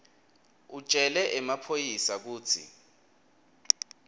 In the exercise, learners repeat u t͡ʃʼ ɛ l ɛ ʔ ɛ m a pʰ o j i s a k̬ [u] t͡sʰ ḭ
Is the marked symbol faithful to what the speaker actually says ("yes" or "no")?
no